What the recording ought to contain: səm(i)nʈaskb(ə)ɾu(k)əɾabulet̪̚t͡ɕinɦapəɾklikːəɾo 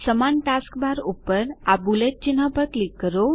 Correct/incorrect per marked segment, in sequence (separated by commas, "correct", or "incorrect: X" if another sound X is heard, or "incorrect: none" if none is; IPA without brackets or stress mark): incorrect: a, incorrect: a, incorrect: p